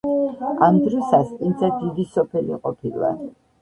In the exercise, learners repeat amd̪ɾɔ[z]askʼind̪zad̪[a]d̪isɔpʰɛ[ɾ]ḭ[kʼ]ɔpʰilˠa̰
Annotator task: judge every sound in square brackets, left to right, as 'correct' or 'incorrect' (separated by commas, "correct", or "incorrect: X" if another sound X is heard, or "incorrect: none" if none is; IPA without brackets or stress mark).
incorrect: s, incorrect: i, incorrect: l, incorrect: qʼ